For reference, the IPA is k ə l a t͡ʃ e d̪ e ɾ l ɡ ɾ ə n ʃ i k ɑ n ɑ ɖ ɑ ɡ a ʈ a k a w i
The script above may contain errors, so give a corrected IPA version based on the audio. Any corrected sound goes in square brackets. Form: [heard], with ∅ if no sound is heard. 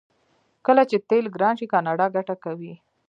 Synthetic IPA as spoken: k ə l a t͡ʃ e [t̪] e [∅] l ɡ ɾ [ɑ] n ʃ i k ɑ n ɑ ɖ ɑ ɡ a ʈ a k a w i